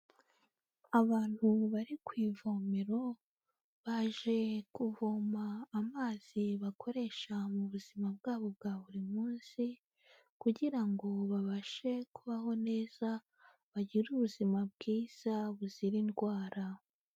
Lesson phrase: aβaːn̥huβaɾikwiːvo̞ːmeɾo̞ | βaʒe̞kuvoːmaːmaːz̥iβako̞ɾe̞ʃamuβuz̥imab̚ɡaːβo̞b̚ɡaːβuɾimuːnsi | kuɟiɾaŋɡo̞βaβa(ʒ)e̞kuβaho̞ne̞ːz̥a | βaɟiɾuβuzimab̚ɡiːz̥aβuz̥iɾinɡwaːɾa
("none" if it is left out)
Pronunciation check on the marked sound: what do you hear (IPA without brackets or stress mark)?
ʃ